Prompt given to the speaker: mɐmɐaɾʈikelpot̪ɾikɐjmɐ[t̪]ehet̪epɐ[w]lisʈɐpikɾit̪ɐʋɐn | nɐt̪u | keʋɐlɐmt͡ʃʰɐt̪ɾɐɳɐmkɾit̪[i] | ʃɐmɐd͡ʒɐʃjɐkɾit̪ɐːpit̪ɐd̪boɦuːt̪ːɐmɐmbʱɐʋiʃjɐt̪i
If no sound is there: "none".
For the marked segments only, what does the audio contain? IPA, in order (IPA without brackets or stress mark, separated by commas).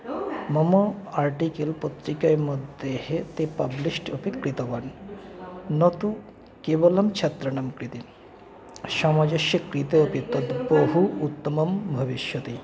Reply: d̪, b, i